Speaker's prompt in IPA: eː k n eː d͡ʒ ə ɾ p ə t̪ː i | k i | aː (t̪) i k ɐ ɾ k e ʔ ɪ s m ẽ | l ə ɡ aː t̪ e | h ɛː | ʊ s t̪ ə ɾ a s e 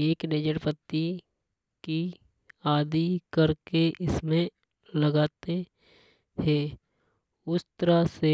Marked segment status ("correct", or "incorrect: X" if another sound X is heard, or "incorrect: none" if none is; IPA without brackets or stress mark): incorrect: d̪